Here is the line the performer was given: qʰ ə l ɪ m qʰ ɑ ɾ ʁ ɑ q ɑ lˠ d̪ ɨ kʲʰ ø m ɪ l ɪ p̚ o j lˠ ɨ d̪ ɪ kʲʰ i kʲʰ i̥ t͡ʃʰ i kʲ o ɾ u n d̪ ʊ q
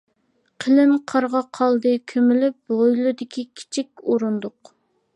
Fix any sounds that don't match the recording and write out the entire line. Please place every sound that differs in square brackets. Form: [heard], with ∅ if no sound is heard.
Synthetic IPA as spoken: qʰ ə l ɪ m qʰ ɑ ɾ ʁ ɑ [qʰ] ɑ lˠ d̪ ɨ kʲʰ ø m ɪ l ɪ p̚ o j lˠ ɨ d̪ ɪ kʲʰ i kʲʰ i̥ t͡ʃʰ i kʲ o ɾ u n d̪ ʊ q